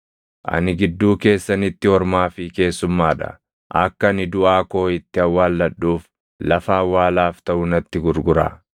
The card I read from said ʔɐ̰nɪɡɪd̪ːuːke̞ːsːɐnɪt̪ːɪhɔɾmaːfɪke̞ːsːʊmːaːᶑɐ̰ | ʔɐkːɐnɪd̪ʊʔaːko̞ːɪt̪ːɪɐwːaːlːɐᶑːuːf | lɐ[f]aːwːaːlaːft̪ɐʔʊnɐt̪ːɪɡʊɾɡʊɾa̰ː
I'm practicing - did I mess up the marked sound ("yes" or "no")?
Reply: no